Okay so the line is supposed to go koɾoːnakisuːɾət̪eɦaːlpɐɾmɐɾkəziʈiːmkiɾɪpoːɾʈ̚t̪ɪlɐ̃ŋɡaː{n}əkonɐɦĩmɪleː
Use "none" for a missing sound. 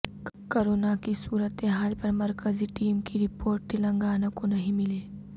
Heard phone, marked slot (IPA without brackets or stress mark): n